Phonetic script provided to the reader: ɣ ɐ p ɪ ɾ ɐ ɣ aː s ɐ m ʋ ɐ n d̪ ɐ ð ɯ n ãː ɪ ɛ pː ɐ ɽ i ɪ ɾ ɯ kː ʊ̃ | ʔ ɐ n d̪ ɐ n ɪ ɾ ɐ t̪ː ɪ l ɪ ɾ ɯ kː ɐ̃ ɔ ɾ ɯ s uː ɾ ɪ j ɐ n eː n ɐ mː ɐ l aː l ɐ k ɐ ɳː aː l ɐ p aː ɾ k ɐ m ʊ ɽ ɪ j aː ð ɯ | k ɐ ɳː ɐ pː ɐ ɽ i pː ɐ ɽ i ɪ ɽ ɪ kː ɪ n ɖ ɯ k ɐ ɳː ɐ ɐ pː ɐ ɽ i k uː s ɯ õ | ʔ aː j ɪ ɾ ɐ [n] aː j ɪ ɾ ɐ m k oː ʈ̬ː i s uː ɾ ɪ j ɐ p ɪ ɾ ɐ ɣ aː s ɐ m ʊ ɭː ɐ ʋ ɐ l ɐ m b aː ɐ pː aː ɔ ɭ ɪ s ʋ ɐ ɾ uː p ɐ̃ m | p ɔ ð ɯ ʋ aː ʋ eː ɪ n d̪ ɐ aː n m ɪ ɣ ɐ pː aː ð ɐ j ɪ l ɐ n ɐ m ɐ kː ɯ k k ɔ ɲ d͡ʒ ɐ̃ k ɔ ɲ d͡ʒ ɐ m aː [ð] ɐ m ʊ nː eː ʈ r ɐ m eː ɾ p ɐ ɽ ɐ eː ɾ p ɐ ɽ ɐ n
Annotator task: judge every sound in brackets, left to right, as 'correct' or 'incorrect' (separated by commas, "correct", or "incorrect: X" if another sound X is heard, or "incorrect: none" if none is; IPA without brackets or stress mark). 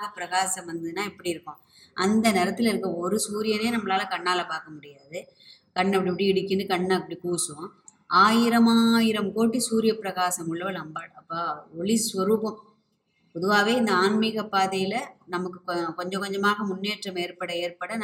incorrect: m, incorrect: ɣ